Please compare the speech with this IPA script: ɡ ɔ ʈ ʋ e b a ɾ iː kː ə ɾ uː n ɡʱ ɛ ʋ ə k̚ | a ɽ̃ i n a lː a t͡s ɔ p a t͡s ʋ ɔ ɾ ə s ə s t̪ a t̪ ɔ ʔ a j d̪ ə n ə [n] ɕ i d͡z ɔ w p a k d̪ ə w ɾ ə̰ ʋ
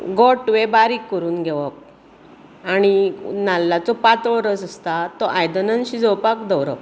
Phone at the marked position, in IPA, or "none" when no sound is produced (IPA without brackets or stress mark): n